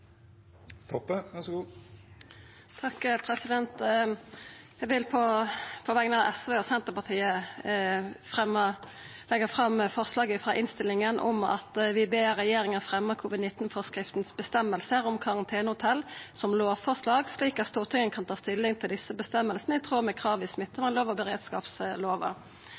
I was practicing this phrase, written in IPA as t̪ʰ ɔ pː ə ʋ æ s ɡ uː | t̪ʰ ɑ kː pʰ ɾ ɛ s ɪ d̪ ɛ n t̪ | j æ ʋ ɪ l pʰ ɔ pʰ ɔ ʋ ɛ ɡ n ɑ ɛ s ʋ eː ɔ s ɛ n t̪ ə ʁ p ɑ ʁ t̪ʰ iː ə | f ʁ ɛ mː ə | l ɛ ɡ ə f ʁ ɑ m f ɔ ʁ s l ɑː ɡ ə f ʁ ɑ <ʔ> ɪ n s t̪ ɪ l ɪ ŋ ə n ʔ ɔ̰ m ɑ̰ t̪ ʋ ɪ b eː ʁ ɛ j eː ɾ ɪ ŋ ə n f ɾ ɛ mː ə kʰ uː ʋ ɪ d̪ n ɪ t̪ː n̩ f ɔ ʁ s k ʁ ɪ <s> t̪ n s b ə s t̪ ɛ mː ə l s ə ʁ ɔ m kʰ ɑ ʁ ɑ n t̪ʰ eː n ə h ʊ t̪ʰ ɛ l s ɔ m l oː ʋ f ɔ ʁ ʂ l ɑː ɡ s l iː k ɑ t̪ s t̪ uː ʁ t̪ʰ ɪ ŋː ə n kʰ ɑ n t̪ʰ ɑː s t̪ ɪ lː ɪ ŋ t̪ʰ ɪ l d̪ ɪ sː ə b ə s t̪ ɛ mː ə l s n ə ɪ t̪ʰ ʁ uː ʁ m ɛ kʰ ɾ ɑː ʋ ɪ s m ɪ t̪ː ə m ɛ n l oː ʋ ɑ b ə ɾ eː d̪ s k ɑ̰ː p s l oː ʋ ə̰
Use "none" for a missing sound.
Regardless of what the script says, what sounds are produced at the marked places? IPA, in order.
ʔ, f

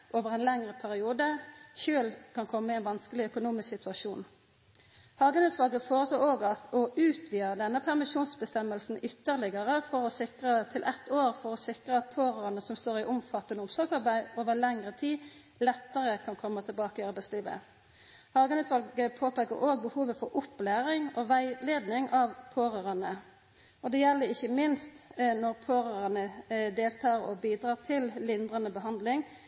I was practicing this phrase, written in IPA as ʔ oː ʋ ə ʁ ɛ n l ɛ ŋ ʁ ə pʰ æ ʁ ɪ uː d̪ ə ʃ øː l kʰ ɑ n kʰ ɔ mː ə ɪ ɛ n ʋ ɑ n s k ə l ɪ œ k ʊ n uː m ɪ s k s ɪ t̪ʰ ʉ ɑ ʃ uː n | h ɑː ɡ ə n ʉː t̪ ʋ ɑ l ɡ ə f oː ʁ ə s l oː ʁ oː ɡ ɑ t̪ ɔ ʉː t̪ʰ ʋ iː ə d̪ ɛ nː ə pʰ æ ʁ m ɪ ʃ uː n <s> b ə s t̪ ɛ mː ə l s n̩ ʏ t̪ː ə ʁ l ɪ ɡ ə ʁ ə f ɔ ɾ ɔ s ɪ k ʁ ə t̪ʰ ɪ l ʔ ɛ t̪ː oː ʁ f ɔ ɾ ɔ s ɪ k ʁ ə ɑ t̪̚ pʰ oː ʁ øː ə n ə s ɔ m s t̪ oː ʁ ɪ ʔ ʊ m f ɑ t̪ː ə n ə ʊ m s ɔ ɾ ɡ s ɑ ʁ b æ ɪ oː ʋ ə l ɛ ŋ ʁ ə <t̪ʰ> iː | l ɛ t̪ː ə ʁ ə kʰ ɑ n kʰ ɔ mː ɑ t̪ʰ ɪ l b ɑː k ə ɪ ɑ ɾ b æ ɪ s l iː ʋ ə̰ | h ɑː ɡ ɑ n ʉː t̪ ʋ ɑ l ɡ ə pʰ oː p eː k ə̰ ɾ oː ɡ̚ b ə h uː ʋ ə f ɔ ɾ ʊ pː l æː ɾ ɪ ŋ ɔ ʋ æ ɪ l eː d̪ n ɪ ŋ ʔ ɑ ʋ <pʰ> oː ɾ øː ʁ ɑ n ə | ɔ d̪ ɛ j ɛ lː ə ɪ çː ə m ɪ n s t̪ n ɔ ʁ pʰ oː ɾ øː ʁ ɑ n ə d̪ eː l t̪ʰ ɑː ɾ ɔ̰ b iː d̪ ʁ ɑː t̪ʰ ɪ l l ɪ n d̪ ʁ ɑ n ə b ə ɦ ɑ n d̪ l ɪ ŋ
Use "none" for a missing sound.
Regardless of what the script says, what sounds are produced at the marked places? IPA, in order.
s, t̪ʰ, pʰ

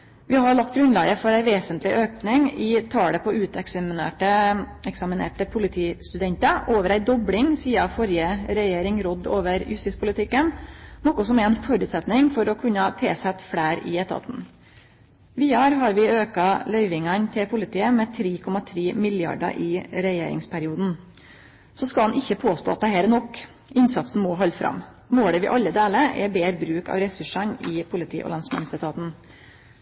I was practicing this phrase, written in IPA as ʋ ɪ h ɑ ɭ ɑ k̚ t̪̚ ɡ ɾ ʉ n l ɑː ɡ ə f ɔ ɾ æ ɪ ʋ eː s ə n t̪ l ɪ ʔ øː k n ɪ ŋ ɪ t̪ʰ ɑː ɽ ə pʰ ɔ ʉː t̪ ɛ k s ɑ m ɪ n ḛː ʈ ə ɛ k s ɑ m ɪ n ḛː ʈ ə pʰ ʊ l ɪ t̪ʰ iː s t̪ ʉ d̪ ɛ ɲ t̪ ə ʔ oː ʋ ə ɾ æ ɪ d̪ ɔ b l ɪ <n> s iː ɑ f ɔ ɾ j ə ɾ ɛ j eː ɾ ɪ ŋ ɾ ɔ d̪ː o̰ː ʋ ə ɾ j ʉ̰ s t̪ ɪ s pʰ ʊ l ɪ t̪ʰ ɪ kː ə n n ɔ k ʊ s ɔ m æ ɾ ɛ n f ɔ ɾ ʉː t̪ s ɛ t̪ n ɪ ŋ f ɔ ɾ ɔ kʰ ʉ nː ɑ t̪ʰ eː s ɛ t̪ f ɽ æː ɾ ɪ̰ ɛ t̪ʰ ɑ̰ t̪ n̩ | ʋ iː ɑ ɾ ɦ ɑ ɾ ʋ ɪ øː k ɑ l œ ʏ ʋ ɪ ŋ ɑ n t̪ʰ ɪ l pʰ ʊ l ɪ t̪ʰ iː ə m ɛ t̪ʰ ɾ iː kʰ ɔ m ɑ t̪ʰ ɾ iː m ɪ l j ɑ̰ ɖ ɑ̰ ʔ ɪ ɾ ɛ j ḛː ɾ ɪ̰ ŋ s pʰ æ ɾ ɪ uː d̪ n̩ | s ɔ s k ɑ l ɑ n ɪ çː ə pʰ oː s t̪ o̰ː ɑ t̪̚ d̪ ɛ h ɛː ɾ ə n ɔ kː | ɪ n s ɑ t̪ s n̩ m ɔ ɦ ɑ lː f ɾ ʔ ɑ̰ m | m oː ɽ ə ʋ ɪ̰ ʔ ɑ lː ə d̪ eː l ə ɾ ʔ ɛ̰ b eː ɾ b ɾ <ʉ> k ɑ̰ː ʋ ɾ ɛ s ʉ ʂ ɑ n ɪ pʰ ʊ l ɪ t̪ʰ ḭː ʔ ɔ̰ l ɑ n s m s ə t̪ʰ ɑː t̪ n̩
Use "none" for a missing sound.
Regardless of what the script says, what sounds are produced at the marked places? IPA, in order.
ŋ, ʉː

